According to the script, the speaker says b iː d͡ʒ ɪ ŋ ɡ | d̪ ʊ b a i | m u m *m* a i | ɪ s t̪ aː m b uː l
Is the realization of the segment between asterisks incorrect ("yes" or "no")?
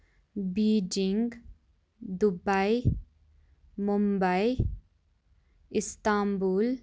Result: yes